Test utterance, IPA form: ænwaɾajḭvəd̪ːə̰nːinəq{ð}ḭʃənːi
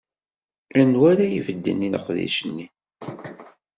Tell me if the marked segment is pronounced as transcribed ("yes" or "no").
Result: yes